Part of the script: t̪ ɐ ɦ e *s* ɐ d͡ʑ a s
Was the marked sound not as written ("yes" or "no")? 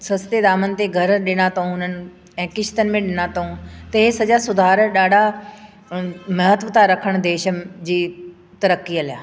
no